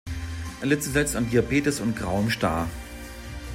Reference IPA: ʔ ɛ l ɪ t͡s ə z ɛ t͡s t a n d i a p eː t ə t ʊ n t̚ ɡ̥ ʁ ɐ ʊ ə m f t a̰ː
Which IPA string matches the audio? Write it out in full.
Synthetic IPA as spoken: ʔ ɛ l ɪ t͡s ə z ɛ t͡s t a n d i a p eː t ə s ʊ n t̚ ɡ̥ ʁ a ʊ ə m ʃ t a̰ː